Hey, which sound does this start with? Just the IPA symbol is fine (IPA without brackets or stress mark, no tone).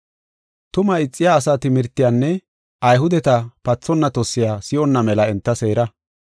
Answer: t̪